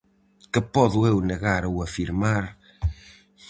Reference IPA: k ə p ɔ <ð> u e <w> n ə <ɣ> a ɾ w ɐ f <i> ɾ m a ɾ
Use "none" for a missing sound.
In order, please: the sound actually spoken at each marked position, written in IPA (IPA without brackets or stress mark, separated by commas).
ð, w, ɣ, i